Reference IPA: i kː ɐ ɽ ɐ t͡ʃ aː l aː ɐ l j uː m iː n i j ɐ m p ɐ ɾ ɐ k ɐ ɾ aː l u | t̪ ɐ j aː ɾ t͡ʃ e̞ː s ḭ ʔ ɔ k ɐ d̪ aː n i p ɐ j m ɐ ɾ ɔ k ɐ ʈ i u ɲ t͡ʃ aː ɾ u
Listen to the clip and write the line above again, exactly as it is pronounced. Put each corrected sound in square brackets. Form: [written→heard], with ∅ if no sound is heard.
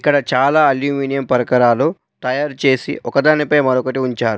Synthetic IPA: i kː ɐ ɽ ɐ t͡ʃ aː l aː ɐ l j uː m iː n i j ɐ m p ɐ ɾ ɐ k ɐ ɾ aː l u | t̪ ɐ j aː ɾ t͡ʃ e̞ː s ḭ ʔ ɔ k ɐ d̪ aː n i p ɐ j m ɐ ɾ ɔ k ɐ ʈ i u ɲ t͡ʃ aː ɾ u